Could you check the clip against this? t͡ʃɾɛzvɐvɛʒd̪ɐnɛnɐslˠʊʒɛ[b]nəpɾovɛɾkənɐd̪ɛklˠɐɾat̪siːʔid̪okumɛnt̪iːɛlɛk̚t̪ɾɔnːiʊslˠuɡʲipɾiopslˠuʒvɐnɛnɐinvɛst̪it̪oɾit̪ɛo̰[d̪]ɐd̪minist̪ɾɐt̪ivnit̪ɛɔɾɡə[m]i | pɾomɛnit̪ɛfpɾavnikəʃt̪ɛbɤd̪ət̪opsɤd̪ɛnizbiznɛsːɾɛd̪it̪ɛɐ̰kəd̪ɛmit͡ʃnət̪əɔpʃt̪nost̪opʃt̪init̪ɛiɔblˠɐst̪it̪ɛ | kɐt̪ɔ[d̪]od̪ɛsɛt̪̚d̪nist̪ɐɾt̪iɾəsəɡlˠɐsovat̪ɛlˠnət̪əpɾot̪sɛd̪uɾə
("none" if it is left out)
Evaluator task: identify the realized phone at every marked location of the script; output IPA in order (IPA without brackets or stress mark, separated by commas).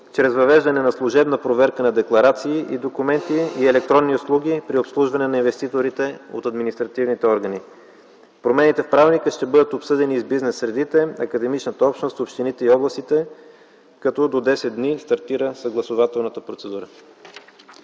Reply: b, t̪, n, d̪